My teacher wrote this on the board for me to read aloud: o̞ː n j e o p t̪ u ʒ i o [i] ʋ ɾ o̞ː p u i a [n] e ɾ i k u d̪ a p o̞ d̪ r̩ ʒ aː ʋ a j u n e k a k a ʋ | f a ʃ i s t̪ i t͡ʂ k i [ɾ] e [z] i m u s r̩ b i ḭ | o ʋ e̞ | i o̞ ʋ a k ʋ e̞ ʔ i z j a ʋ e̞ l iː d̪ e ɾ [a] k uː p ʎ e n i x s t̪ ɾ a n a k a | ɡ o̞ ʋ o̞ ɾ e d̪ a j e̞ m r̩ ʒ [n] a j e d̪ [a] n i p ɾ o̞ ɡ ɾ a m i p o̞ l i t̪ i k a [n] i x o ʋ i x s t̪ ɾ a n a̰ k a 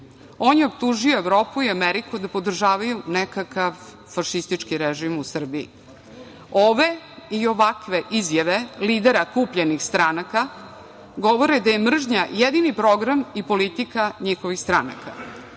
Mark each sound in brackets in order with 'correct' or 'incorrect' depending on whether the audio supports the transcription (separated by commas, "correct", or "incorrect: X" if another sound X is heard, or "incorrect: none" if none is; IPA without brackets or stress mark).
incorrect: e, incorrect: m, correct, incorrect: ʒ, correct, incorrect: ɲ, incorrect: i, incorrect: ɲ